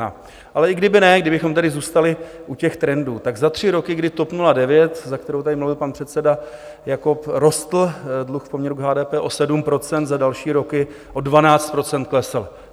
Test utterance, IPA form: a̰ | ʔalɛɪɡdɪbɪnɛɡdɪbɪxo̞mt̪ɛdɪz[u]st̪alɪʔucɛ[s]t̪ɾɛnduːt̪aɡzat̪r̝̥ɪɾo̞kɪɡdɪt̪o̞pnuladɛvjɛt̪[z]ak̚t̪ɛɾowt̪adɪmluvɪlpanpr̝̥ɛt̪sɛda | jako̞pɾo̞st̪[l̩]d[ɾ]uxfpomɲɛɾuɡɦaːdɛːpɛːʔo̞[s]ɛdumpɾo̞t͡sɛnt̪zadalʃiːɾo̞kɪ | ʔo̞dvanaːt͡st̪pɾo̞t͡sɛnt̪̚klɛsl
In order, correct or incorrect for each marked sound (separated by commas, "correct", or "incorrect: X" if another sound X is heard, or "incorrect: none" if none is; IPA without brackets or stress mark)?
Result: incorrect: uː, incorrect: x, correct, correct, incorrect: l, correct